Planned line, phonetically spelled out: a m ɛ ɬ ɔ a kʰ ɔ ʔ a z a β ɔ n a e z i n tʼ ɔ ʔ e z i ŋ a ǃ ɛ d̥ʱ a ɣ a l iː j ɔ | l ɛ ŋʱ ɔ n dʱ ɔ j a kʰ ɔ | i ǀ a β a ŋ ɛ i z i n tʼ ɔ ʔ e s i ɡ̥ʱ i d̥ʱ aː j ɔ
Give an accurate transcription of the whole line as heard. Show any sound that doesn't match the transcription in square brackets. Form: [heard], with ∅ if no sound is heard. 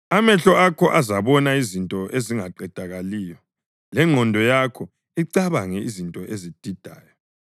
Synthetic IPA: a m ɛ ɬ ɔ a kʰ ɔ ʔ a z a β ɔ n a [i] z i n tʼ ɔ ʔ e z i ŋ a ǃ ɛ d̥ʱ a ɣ a l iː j ɔ | l ɛ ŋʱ ɔ n dʱ ɔ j a kʰ ɔ | i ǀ a β a ŋ ɛ i z i n tʼ ɔ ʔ e [z] i [d̥ʱ] i d̥ʱ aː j ɔ